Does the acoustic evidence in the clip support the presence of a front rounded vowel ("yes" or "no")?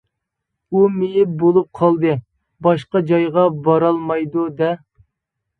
no